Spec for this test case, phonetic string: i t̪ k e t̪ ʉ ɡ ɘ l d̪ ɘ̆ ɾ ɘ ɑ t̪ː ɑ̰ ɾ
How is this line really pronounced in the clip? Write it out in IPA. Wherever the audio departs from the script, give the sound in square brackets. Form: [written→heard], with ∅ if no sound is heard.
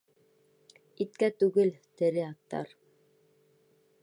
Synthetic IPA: i t̪ k [e→æ] t̪ ʉ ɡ ɘ l [d̪→t̪] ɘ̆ ɾ ɘ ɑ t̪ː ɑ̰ ɾ